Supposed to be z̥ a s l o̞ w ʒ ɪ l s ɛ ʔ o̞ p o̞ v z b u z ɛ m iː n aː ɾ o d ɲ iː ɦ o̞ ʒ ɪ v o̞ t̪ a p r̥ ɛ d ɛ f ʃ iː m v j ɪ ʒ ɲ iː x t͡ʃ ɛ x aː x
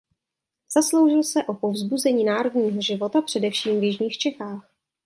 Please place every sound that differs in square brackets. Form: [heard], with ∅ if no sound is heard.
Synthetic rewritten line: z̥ a s l o̞ w ʒ ɪ l s ɛ ʔ o̞ p o̞ v z b u z ɛ [ɲ] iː n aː ɾ o d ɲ iː ɦ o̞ ʒ ɪ v o̞ t̪ a p r̥ ɛ d ɛ f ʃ iː m v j ɪ ʒ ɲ iː x t͡ʃ ɛ x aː x